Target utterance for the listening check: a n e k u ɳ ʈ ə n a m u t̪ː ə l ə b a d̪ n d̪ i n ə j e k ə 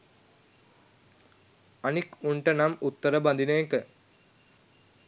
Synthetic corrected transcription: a n i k u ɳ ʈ ə n a m u t̪ː ə ɾ ə b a n d̪ i n ə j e k ə